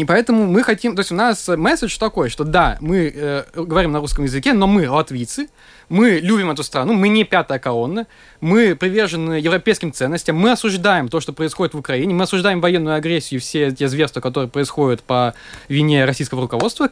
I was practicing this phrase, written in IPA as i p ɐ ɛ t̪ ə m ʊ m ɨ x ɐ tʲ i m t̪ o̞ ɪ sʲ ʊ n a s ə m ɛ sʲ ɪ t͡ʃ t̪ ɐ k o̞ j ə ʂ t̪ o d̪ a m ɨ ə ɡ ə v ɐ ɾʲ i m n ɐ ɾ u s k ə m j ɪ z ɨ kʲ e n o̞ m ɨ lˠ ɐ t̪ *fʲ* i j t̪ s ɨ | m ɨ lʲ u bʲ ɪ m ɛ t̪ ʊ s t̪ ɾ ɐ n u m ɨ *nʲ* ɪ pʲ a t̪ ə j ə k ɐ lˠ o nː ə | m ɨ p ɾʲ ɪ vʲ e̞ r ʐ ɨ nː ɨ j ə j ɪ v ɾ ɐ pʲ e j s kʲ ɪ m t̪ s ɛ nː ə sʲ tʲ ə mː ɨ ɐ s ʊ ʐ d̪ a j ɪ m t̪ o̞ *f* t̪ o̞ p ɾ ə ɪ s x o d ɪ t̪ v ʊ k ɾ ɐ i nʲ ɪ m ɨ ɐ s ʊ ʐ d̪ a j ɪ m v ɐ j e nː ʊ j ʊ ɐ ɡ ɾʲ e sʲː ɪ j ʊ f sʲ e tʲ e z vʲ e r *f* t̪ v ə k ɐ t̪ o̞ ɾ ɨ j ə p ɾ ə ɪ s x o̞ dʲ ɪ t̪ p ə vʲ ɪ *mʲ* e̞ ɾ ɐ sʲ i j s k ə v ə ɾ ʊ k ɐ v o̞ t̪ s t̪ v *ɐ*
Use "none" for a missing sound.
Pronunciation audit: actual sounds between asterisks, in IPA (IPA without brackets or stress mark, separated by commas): vʲ, nʲ, ʂ, s, nʲ, ə